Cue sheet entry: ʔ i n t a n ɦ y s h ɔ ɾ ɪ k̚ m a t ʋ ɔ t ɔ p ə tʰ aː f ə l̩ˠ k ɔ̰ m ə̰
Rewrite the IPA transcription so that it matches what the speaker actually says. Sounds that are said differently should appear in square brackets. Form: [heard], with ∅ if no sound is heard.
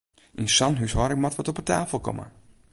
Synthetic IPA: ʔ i n [s] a n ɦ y s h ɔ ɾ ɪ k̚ m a t ʋ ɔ t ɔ p ə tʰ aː f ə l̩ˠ k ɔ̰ m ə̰